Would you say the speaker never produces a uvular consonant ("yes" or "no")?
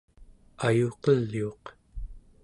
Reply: no